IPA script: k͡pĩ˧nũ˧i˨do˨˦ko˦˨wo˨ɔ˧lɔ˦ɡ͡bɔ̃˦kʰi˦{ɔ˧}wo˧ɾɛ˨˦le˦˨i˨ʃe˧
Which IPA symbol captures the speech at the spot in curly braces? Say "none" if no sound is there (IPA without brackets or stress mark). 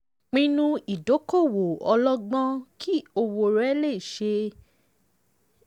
o˧